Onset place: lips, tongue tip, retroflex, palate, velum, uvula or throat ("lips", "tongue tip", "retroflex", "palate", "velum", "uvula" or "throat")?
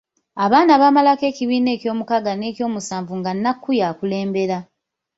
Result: lips